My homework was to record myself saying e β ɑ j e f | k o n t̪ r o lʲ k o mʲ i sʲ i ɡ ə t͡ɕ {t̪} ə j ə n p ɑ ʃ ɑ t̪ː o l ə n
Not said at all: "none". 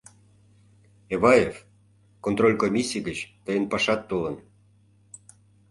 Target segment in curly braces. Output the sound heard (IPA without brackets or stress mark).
t̪